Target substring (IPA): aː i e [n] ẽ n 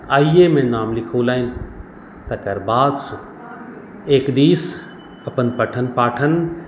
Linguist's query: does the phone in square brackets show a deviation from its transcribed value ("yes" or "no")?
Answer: yes